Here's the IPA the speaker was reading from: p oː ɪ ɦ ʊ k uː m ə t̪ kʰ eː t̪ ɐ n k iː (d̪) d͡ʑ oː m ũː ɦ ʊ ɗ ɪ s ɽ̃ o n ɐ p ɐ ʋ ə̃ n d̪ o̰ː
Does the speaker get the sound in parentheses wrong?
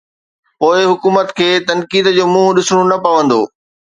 no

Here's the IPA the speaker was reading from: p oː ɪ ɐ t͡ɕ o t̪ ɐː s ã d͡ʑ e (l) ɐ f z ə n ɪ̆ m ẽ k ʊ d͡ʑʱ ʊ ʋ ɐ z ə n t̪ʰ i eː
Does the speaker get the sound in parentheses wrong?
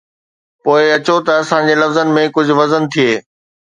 no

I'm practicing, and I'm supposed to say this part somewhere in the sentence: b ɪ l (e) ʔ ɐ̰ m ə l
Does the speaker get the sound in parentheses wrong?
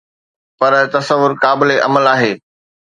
no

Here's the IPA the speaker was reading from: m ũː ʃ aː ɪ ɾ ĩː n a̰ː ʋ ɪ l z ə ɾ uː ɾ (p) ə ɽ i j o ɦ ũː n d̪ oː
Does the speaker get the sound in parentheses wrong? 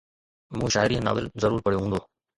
no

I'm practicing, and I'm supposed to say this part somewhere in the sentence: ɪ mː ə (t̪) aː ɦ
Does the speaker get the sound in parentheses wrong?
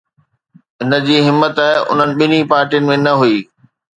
no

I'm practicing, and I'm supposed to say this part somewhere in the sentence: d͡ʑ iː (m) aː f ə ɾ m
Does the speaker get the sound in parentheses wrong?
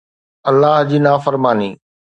yes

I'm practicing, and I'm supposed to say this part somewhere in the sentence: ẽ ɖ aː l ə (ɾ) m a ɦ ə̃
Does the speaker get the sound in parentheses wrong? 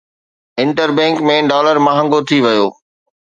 no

